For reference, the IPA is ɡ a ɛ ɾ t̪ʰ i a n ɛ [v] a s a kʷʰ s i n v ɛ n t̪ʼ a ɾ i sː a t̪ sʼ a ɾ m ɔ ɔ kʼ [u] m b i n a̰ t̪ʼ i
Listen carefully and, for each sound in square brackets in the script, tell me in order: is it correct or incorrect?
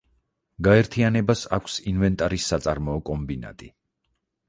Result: incorrect, incorrect

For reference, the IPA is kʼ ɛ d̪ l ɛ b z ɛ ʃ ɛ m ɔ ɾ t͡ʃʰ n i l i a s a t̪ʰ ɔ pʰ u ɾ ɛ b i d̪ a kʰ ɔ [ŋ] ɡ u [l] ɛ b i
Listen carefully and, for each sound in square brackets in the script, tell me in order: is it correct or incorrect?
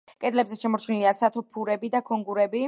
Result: correct, incorrect

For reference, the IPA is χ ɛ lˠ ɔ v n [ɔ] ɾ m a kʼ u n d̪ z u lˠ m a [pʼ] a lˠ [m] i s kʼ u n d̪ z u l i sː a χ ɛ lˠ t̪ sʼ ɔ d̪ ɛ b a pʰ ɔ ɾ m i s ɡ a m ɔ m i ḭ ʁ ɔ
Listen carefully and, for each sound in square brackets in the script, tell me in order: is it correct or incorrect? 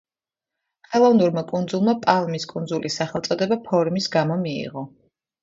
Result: incorrect, correct, correct

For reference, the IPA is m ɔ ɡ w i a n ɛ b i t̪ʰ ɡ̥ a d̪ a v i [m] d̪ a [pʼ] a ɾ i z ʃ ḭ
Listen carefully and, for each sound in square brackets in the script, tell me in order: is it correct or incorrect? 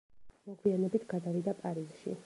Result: incorrect, correct

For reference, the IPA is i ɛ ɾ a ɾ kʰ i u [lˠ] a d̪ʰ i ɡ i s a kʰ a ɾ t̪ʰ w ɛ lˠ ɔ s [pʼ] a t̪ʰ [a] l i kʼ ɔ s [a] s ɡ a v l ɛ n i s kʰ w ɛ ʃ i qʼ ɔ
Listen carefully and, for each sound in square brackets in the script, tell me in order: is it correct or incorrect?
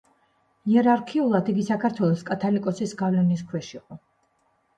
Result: correct, incorrect, correct, incorrect

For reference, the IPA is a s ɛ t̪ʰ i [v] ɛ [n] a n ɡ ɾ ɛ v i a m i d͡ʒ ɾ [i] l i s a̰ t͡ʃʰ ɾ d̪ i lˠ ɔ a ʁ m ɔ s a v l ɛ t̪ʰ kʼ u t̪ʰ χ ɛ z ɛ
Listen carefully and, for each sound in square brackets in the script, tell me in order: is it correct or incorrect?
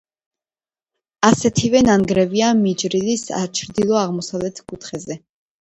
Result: correct, correct, correct

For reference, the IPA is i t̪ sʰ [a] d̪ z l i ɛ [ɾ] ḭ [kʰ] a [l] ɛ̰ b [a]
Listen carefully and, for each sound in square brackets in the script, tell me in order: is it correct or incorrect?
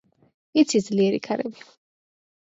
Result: incorrect, correct, correct, incorrect, incorrect

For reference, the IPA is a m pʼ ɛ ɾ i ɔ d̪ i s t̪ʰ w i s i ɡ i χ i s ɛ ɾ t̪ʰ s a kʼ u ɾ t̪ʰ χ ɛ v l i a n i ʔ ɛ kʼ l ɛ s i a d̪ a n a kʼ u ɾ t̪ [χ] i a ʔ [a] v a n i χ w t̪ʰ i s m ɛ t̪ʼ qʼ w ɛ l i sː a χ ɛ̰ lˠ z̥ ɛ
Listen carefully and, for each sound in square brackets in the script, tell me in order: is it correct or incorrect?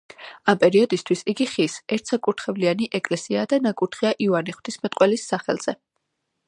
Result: correct, incorrect

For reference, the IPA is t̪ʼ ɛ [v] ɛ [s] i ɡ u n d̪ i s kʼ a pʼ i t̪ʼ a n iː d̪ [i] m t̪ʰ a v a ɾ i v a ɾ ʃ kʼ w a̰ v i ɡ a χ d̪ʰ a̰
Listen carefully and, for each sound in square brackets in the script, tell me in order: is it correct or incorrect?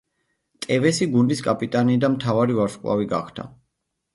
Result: correct, correct, incorrect

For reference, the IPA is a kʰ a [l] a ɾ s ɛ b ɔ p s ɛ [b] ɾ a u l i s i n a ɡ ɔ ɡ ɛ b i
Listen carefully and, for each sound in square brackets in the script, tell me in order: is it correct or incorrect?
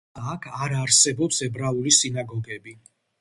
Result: incorrect, correct

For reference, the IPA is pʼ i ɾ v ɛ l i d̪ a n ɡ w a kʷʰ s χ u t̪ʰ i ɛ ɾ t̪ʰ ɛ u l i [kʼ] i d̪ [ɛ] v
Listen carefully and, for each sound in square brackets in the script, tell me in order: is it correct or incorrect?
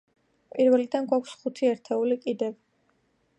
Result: correct, correct

